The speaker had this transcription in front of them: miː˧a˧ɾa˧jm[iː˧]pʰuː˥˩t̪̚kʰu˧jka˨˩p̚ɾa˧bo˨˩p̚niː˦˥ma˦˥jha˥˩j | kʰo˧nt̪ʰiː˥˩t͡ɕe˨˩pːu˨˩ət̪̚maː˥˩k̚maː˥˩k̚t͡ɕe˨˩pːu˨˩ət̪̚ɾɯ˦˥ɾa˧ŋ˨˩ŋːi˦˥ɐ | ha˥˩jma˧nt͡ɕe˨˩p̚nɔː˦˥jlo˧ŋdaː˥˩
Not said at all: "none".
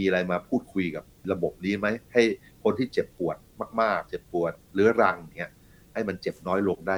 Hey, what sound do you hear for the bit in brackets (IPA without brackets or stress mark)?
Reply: aː˧